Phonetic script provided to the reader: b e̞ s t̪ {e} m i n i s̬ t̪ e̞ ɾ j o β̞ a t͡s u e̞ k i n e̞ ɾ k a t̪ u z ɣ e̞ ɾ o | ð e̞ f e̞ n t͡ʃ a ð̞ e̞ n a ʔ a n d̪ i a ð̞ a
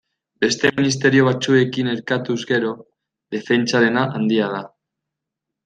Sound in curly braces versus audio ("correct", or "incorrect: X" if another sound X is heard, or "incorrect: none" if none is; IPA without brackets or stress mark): correct